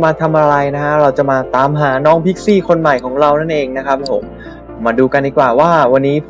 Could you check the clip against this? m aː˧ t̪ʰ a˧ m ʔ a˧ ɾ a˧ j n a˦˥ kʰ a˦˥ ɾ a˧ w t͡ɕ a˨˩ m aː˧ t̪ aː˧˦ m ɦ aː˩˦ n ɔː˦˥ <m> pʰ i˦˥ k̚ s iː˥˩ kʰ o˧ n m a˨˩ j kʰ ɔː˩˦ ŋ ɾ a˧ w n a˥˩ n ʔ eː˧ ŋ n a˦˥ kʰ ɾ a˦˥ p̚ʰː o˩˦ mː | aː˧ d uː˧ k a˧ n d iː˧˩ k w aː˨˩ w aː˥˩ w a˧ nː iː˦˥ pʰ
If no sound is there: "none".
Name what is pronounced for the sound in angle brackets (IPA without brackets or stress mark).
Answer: ŋ